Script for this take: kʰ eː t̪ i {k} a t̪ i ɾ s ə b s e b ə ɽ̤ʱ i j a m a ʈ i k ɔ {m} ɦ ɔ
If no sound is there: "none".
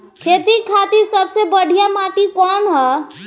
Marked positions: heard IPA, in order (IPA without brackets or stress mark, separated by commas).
kʰ, n